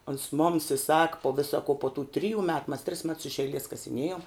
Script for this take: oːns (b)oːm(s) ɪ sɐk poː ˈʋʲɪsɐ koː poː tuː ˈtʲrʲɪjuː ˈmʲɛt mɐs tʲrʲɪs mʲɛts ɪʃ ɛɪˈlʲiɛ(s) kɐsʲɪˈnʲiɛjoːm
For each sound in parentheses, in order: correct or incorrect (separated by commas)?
incorrect, correct, correct